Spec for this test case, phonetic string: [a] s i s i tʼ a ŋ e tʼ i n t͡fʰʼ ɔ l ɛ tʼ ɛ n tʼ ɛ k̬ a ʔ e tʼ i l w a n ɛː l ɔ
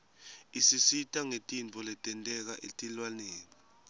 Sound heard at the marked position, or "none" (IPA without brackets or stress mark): i